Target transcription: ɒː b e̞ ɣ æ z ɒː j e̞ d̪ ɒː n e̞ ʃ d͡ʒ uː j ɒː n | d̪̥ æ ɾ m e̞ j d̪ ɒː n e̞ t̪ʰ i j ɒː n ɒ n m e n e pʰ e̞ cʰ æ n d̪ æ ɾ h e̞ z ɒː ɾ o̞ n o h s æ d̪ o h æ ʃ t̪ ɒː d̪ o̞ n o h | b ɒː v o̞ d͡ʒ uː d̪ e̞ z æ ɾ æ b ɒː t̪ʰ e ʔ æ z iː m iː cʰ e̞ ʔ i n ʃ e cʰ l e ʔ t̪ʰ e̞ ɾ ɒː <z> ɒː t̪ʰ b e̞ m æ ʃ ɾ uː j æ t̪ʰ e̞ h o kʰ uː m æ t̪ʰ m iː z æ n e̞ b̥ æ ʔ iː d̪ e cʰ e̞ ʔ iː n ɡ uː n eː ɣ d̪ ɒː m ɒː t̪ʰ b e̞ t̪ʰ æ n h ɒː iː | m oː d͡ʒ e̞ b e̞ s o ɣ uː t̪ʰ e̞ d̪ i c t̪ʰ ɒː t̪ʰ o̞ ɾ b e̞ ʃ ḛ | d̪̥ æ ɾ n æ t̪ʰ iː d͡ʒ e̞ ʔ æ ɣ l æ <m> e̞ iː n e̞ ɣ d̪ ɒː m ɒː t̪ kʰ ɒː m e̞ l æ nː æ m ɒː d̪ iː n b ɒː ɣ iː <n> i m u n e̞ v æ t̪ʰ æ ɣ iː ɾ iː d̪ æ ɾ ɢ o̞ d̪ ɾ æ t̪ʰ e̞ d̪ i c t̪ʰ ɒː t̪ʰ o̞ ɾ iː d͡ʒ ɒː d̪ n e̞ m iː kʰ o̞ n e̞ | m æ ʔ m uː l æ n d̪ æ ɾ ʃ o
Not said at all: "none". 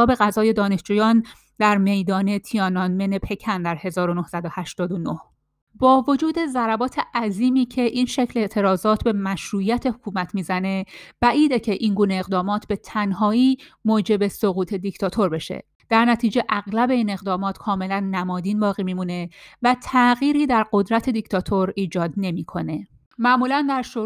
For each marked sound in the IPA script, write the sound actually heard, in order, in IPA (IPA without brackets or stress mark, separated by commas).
z, b, m